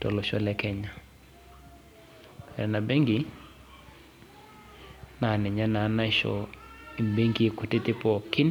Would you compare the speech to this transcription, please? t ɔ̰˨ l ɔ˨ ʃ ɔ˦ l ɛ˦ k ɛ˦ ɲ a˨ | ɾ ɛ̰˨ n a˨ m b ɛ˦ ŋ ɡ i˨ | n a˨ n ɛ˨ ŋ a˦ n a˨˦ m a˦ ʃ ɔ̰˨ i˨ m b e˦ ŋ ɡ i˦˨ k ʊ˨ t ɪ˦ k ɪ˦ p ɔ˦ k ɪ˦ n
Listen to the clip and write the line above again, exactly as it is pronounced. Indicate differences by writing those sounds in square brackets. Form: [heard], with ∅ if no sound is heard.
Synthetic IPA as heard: t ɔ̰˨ l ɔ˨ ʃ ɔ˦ l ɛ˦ k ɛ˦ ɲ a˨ | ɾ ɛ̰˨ n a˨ [∅] b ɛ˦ ŋ ɡ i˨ | n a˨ n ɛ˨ [ɲ] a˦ n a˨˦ [n] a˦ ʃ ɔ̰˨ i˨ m b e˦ ŋ ɡ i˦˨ k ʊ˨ t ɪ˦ [t] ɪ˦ p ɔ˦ k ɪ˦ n